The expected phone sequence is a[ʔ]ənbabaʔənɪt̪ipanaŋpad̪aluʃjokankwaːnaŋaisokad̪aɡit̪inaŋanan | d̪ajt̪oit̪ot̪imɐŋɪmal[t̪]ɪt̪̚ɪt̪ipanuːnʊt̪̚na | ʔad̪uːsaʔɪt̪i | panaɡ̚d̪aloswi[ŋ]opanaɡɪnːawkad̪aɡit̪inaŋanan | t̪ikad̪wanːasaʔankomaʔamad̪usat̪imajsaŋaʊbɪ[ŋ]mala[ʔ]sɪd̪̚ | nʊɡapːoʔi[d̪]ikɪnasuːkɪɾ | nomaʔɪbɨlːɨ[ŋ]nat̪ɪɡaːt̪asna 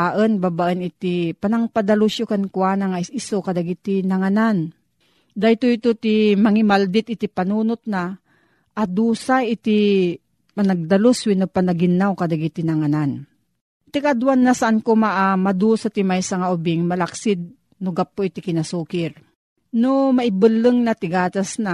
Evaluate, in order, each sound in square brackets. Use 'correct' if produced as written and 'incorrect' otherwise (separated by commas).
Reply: correct, incorrect, incorrect, correct, incorrect, incorrect, correct